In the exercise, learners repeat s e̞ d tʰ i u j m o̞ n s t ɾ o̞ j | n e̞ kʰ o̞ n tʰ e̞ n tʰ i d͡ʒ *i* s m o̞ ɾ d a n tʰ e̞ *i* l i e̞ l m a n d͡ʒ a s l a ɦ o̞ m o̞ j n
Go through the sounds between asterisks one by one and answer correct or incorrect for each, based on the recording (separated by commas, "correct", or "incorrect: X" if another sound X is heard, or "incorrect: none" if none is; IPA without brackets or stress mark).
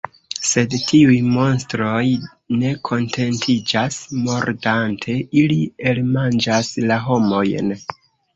incorrect: a, correct